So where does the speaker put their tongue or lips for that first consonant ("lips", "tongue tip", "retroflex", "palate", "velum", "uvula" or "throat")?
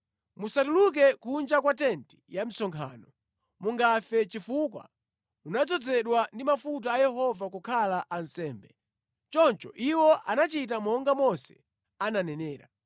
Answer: lips